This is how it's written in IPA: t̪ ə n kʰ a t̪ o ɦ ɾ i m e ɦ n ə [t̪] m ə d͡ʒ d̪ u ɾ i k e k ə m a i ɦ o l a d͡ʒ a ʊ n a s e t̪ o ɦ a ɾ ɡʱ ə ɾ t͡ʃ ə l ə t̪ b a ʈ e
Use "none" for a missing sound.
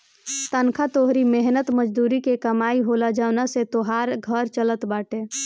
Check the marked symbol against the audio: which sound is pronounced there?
t̪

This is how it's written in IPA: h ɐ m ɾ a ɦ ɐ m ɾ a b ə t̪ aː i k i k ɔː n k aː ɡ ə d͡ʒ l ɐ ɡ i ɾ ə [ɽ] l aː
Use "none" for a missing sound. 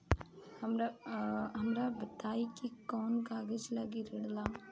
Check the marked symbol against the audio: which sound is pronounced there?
ɽ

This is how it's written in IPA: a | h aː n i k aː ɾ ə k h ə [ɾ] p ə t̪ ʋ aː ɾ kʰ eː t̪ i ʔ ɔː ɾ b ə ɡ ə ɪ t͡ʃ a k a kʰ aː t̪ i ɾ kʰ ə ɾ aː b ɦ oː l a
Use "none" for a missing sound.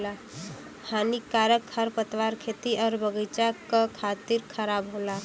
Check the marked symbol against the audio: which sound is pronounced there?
ɾ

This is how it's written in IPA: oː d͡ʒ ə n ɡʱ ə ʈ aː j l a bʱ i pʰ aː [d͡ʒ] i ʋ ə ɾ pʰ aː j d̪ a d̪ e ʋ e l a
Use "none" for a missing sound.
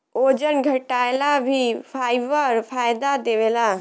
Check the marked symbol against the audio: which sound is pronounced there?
none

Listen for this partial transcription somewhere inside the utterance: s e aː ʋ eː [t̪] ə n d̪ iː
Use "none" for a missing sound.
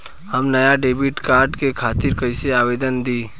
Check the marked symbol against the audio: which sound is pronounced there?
d̪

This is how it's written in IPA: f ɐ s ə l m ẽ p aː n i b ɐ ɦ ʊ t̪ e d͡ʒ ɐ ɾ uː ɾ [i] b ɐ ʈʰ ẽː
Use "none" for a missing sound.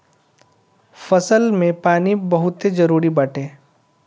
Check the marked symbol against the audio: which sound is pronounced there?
i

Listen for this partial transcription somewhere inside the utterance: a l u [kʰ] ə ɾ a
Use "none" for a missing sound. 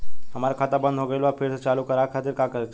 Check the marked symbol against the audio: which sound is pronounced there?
k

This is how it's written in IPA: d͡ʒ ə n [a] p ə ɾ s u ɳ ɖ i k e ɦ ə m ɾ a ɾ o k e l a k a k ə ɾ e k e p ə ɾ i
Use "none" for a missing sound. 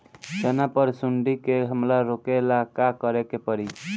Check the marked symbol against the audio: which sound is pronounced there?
a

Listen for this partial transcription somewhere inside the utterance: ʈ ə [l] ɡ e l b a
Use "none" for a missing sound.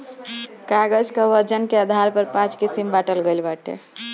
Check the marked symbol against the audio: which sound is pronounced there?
l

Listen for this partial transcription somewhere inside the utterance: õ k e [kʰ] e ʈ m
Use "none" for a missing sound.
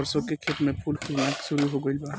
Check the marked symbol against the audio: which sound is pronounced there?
kʰ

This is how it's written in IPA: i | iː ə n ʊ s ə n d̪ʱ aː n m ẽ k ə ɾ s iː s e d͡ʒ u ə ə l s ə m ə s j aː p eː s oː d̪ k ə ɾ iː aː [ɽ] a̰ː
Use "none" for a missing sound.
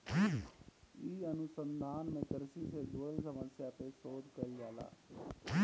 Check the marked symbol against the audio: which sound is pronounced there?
l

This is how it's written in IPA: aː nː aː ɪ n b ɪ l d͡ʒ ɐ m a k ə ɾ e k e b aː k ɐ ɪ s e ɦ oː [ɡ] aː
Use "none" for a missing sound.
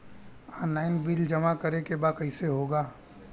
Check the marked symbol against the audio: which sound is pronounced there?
ɡ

